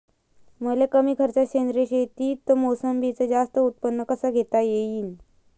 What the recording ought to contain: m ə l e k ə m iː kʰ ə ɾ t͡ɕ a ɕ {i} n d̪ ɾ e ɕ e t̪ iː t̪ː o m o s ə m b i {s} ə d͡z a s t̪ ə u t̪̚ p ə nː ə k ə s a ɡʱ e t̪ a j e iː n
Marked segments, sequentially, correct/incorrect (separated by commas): incorrect, incorrect